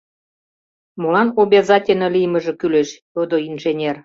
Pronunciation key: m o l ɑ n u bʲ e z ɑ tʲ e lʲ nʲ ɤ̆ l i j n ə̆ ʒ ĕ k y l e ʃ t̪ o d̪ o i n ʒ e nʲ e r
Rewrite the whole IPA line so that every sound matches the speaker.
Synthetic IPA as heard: m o l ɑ n o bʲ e z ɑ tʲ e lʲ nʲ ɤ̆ l i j m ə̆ ʒ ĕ k y l e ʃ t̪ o d̪ o i n ʒ e nʲ e r